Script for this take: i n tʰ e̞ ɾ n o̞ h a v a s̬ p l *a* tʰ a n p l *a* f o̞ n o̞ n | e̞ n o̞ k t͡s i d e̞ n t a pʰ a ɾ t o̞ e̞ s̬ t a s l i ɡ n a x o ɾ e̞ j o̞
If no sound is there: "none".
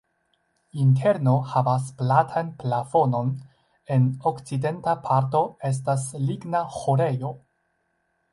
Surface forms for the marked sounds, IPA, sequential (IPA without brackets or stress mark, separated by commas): a, a